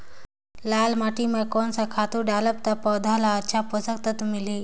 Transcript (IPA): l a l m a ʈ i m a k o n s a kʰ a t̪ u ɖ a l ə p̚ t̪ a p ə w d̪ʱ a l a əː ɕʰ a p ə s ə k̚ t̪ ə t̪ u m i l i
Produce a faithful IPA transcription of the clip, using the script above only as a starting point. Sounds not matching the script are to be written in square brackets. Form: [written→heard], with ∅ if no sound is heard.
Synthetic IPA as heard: l a l m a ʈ i m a k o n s a kʰ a t̪ u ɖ a l ə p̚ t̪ a p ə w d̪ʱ a l a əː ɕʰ a p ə s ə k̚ t̪ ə t̪ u m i l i